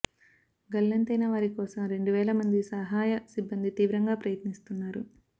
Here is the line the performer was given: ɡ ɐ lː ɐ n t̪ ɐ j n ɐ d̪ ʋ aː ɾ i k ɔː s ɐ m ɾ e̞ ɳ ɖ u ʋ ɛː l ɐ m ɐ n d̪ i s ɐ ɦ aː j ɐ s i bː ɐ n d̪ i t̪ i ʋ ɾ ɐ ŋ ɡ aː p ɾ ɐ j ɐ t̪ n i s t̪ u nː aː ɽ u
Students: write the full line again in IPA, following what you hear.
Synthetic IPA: ɡ ɐ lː ɐ n t̪ ɐ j n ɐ ʋ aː ɾ i k ɔː s ɐ m ɾ e̞ ɳ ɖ u ʋ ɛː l ɐ m ɐ n d̪ i s ɐ ɦ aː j ɐ s i bː ɐ n d̪ i t̪ iː ʋ ɾ ɐ ŋ ɡ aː p ɾ ɐ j ɐ t̪ n i s t̪ u nː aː ɾ u